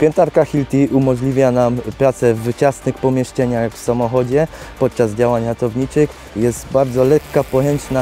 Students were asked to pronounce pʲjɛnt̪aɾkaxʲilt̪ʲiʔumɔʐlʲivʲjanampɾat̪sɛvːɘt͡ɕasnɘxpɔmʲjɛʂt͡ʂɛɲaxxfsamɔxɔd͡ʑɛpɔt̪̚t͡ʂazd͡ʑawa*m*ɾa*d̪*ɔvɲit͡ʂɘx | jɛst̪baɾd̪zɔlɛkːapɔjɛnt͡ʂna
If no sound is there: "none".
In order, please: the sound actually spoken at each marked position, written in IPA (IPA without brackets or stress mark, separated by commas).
ɲ, t̪